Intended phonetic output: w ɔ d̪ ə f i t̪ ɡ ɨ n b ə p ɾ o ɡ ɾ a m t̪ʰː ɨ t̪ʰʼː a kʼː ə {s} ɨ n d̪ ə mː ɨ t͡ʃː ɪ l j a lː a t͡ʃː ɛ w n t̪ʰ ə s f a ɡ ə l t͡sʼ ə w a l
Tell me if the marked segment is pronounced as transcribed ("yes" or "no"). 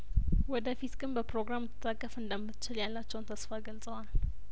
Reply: no